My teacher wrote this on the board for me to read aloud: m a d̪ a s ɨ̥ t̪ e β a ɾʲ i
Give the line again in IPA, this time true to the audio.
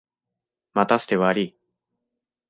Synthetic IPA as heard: m a t̪ a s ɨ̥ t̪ e β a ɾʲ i